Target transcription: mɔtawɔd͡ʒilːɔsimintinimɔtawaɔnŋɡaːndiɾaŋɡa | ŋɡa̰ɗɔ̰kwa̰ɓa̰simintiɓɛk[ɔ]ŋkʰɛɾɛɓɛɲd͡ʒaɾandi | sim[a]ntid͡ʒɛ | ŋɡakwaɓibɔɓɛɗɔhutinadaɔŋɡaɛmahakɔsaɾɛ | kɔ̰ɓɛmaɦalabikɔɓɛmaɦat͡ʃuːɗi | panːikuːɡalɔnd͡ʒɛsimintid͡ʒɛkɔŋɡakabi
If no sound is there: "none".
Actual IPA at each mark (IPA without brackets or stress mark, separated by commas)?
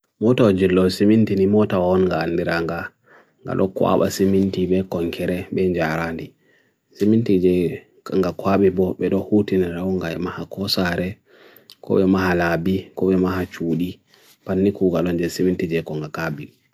ɔ, i